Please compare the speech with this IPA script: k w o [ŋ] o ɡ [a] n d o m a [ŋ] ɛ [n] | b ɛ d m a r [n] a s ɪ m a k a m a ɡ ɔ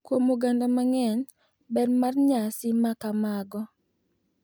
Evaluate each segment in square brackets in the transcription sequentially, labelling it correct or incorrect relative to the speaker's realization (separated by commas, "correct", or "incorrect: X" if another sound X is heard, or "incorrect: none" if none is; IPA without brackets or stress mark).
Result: incorrect: m, correct, correct, correct, incorrect: ɲ